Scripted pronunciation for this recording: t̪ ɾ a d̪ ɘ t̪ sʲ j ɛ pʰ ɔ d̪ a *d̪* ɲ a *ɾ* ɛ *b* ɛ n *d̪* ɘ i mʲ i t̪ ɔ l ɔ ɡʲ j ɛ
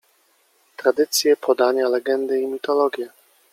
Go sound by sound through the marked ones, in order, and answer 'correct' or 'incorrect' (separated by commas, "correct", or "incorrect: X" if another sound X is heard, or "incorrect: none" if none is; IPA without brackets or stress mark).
incorrect: none, incorrect: l, incorrect: ɡ, correct